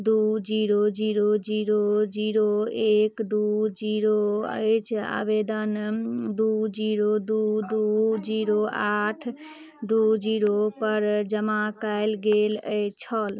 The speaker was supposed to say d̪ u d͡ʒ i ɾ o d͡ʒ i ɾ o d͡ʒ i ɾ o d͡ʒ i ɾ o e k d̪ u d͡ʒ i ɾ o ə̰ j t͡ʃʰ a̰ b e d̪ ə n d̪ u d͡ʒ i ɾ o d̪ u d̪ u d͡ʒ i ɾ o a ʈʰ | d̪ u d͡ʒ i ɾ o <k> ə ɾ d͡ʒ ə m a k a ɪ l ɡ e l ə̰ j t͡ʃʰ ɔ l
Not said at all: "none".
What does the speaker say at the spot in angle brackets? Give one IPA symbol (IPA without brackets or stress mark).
p